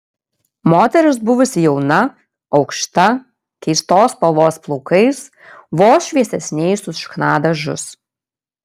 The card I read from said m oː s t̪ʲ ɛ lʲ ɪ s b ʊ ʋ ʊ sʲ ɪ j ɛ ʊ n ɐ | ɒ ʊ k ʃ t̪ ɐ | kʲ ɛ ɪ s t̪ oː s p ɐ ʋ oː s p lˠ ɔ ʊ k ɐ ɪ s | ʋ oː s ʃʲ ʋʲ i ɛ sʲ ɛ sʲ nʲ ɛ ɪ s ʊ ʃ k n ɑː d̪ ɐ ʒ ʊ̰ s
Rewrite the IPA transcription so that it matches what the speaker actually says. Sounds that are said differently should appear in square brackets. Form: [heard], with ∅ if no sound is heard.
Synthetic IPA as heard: m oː [∅] t̪ʲ ɛ [ɾʲ] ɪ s b ʊ ʋ ʊ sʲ ɪ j ɛ ʊ n ɐ | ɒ ʊ k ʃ t̪ ɐ | kʲ ɛ ɪ s t̪ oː s p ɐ ʋ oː s p lˠ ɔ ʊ k ɐ ɪ s | ʋ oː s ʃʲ ʋʲ i ɛ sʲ ɛ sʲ nʲ ɛ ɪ s ʊ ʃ k n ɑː d̪ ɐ ʒ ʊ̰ s